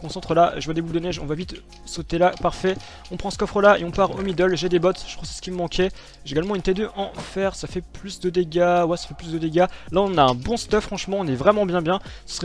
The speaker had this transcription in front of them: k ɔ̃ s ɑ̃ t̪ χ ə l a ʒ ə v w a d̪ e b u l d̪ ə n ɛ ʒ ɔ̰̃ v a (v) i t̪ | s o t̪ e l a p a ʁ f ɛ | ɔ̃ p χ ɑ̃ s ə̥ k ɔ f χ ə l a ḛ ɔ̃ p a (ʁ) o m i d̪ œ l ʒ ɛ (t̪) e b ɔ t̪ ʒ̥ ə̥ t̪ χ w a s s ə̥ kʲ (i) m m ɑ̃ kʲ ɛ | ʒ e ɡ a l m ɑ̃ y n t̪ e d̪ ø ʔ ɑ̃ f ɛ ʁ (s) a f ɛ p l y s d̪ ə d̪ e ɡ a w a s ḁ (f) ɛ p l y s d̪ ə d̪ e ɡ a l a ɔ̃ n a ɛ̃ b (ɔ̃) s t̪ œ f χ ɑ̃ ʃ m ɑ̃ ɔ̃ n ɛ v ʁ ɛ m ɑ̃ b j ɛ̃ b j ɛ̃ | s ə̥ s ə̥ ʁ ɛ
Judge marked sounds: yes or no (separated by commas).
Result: yes, yes, no, yes, yes, yes, yes